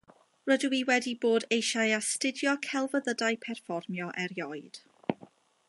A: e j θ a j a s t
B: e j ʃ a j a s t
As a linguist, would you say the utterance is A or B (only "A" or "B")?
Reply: B